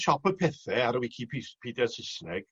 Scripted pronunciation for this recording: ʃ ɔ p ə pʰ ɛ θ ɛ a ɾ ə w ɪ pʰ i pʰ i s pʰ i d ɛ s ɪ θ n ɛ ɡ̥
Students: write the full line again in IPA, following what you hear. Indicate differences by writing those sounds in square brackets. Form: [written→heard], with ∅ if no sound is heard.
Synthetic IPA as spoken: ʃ ɔ p ə pʰ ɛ θ ɛ a ɾ ə w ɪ [pʰ→kʰ] i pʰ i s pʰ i d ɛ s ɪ [θ→s] n ɛ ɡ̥